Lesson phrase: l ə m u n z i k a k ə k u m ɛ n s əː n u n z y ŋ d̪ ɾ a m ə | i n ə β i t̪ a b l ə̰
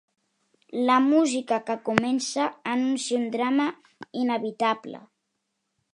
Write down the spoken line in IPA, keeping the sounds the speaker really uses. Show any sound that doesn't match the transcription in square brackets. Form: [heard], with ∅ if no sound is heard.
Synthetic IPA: l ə m u [∅] z i k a k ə k u m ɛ n s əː n u n [s] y [n] d̪ ɾ a m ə | i n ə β i t̪ a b l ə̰